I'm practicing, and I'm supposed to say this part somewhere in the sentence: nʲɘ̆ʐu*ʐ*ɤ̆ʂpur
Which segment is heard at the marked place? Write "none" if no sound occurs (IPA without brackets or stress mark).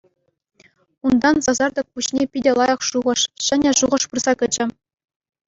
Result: ʁ